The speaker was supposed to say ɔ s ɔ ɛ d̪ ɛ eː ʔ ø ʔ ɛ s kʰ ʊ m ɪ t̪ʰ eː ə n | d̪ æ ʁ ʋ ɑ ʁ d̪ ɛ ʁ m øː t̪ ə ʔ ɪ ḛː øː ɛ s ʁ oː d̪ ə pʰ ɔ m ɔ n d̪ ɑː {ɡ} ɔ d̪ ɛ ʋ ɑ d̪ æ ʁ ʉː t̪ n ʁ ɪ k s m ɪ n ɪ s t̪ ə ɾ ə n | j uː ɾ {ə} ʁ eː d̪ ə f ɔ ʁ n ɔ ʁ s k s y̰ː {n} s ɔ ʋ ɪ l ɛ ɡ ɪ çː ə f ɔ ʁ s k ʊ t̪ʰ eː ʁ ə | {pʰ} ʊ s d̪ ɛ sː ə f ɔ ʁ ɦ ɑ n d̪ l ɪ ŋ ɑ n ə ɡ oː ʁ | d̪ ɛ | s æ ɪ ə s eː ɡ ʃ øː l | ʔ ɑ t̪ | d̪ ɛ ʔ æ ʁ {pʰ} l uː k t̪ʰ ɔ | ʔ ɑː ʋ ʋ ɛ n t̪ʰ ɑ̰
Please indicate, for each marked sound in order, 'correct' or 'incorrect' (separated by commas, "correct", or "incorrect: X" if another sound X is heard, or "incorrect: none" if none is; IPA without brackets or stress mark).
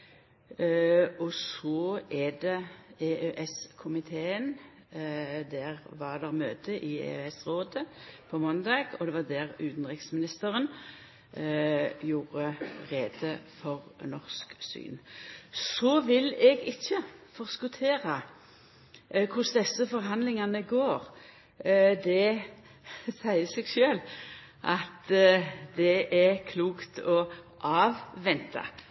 correct, correct, correct, incorrect: kʰ, incorrect: kʰ